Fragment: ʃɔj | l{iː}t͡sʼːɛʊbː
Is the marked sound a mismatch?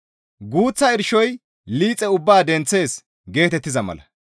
no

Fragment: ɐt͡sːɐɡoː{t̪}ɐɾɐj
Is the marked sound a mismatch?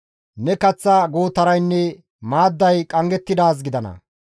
no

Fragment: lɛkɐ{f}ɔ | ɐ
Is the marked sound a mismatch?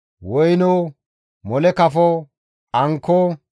no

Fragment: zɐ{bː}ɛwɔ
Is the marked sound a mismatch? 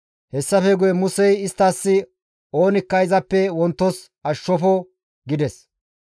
yes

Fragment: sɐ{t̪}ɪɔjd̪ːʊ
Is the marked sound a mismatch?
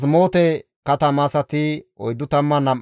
no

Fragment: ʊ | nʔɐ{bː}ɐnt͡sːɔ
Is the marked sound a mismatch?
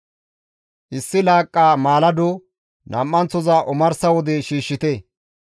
yes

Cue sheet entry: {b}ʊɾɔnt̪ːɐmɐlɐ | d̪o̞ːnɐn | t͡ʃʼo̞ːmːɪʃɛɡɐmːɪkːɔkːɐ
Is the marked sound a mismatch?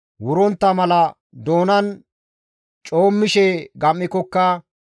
yes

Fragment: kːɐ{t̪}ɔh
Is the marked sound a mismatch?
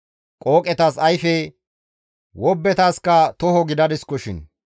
no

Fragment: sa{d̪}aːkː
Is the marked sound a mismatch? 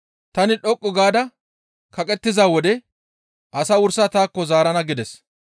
yes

